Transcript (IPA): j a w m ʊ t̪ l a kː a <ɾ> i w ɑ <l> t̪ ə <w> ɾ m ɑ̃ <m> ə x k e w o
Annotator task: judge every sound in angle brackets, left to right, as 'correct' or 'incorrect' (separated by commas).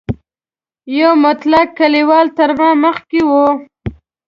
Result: incorrect, correct, incorrect, correct